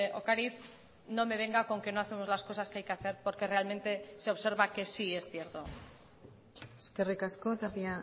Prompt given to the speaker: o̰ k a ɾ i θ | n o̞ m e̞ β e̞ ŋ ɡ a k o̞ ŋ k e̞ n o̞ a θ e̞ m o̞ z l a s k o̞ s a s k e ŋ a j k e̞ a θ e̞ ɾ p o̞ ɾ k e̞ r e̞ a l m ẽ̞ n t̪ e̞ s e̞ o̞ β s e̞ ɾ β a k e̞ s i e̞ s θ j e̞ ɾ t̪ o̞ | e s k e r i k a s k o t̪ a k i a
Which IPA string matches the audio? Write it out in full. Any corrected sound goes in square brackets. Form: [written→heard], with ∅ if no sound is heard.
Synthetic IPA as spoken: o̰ k a ɾ i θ | n o̞ m e̞ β e̞ ŋ ɡ a k o̞ ŋ k e̞ n o̞ a θ e̞ m o̞ z l a s k o̞ s a s k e [ŋ→∅] a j k e̞ a θ e̞ ɾ p o̞ ɾ k e̞ r e̞ a l m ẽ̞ n t̪ e̞ s e̞ o̞ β s e̞ ɾ β a k e̞ s i e̞ s θ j e̞ ɾ t̪ o̞ | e s k e r i k a s k o t̪ a [k→p] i a